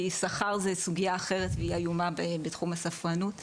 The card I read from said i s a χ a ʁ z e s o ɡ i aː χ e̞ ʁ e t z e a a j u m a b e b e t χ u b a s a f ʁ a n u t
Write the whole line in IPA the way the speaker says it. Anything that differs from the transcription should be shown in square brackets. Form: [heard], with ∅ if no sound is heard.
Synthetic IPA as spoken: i s a χ a ʁ z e s [u] ɡ i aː χ e̞ ʁ e t [v] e [i] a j u m a b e b e t χ u [m] a s a f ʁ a n u t

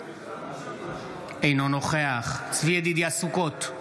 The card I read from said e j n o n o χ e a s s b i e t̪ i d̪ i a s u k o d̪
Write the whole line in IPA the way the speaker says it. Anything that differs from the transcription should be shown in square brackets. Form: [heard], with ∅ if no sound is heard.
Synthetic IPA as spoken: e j n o n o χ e a [χ] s [v] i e [d̪] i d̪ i a s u k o [t̪]

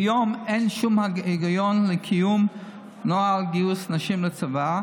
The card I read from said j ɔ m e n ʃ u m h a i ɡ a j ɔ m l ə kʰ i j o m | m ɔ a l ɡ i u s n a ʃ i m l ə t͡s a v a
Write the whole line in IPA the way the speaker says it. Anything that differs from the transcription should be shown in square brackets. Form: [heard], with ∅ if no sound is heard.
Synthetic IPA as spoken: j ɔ m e n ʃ u m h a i ɡ a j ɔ [n] l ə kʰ i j [u] m | [n] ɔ a l ɡ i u s n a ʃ i m l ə t͡s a v a

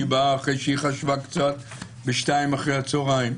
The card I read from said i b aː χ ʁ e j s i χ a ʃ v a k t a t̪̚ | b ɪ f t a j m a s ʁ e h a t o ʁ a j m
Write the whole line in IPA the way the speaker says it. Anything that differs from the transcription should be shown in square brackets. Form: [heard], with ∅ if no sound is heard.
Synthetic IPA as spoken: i b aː χ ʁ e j [ʃ] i χ a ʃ v a k [t͡s] a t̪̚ | b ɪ [ʃ] t a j m a [χ] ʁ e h a [t͡s] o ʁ a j m

